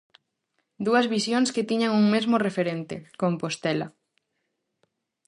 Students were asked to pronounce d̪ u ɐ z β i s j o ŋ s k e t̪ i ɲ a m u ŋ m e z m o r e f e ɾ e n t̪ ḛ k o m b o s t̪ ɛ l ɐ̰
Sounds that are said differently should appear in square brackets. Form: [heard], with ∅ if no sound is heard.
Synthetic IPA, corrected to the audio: d̪ u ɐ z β i s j o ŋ s k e t̪ i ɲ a [ŋ] u ŋ m e z m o r e f e ɾ e n t̪ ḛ k o m [p] o s t̪ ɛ l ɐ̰